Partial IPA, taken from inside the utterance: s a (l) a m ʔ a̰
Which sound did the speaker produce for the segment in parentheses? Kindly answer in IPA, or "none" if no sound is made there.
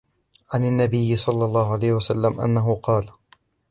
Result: lː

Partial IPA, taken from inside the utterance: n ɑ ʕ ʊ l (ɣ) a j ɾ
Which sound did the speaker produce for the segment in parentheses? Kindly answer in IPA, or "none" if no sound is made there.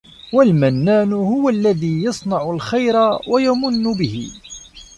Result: x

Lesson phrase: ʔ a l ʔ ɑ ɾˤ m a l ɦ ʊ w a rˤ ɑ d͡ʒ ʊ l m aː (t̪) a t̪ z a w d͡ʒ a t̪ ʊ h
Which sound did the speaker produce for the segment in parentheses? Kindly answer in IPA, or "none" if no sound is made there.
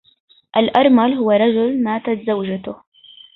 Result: t̪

